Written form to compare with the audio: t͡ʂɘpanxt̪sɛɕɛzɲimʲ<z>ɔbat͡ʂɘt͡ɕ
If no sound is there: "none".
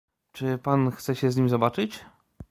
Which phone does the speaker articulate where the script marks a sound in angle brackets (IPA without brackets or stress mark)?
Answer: z